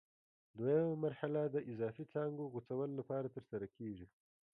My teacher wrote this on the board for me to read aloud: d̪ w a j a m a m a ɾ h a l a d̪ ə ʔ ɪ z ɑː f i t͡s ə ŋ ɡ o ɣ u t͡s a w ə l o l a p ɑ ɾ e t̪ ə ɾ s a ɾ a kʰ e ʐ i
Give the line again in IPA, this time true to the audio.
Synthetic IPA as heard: d̪ w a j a m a m a ɾ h a l a d̪ ə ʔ ɪ z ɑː f i t͡s ɑ ŋ ɡ o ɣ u t͡s a w ə l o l a p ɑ ɾ a t̪ ə ɾ s a ɾ a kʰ e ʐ i